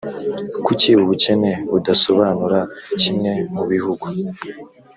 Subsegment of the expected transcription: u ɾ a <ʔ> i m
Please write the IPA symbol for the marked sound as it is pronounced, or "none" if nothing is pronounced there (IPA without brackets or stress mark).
c